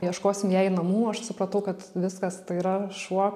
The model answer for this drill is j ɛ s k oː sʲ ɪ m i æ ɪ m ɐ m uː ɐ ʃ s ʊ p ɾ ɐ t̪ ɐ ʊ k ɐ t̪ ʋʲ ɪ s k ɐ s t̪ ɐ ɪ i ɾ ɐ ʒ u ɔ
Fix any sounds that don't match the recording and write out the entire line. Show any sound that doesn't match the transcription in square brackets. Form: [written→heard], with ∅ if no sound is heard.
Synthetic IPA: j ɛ [s→ʃ] k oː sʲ ɪ m [i→j] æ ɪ [m→n] ɐ m uː ɐ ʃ s ʊ p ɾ ɐ t̪ ɐ ʊ k ɐ t̪ ʋʲ ɪ s k ɐ s t̪ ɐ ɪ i ɾ ɐ [ʒ→ʃ] u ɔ